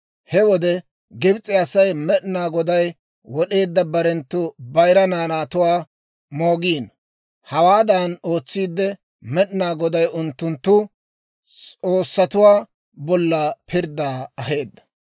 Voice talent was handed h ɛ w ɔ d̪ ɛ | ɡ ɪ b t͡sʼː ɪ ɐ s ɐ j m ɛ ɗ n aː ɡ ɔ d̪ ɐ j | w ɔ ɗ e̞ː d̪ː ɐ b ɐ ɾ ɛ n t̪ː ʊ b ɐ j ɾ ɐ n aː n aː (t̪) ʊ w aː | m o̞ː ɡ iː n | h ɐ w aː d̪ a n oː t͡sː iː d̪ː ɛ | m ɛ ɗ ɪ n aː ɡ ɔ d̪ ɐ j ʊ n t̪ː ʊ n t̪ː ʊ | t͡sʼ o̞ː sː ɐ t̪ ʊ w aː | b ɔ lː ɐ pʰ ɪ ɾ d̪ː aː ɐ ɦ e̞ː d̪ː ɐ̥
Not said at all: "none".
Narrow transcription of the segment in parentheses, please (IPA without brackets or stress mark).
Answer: t̪